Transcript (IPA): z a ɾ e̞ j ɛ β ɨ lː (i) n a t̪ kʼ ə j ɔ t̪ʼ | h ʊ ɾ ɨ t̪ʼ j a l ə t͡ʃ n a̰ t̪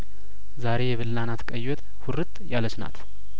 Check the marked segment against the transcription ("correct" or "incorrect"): incorrect